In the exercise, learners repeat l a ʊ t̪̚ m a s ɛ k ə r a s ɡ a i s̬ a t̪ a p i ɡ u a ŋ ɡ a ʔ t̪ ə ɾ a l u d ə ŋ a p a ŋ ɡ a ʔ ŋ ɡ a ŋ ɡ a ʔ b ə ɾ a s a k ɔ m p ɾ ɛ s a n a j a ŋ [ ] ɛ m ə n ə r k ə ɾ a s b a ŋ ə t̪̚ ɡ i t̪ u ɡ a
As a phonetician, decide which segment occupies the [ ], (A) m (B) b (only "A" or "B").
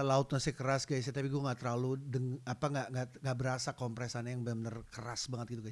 B